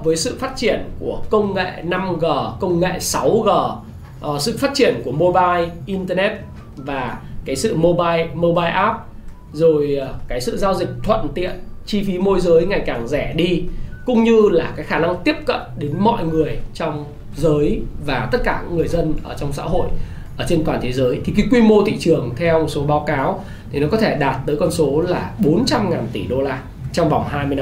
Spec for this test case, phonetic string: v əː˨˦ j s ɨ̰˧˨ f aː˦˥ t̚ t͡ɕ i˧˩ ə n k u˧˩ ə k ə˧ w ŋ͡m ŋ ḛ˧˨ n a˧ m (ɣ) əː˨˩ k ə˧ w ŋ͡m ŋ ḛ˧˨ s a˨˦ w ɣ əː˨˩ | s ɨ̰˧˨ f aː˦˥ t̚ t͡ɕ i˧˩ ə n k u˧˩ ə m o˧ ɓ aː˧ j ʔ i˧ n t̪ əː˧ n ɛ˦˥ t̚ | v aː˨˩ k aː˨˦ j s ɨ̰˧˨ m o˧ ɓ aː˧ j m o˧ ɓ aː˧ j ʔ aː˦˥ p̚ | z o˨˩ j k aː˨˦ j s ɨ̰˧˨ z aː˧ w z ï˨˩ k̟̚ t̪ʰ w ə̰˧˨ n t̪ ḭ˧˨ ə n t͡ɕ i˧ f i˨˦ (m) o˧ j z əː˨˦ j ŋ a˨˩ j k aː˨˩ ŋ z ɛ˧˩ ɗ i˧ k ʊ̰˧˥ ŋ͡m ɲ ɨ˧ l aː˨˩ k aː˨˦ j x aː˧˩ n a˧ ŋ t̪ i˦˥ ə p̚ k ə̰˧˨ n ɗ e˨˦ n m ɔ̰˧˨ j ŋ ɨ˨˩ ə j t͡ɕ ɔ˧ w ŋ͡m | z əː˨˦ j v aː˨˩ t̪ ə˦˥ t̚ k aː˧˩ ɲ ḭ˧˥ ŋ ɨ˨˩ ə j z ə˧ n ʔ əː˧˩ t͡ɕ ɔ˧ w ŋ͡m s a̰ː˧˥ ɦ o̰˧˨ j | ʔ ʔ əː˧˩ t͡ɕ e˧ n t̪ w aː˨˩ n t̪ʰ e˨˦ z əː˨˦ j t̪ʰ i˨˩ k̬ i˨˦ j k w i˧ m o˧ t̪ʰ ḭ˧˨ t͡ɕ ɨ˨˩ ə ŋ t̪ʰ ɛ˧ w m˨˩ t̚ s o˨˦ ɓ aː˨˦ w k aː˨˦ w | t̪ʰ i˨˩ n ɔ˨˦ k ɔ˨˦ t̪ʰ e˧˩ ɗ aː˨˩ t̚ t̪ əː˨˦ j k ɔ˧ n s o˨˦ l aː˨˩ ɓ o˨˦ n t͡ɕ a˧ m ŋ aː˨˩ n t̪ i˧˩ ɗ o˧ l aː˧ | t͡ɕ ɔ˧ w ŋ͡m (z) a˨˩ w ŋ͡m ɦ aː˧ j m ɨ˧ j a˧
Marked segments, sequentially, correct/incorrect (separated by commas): correct, correct, incorrect